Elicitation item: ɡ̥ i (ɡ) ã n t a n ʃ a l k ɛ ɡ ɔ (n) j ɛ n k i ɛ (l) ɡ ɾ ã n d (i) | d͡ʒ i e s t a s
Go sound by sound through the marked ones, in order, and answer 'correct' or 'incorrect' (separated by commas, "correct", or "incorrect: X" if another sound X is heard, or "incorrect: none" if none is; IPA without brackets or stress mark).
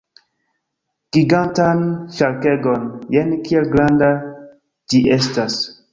correct, correct, correct, incorrect: a